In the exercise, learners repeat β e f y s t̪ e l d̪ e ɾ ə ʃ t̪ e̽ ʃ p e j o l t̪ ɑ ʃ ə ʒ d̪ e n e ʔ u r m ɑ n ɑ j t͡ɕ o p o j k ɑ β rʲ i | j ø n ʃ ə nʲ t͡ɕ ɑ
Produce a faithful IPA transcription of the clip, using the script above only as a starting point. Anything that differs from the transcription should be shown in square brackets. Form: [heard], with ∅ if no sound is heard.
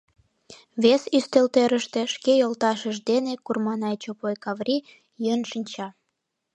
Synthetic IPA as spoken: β e [s] y s t̪ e l [t̪] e ɾ ə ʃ t̪ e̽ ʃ [k] e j o l t̪ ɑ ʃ ə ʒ d̪ e n e [k] u r m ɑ n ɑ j t͡ɕ o p o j k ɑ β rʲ i | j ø n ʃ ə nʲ t͡ɕ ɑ